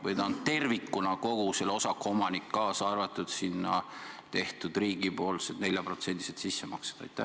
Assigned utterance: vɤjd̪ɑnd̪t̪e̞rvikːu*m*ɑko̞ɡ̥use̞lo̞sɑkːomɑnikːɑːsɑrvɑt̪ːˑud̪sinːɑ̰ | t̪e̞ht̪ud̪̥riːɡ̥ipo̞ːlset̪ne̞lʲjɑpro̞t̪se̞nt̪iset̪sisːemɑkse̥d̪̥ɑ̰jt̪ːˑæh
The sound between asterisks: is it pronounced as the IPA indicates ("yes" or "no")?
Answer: no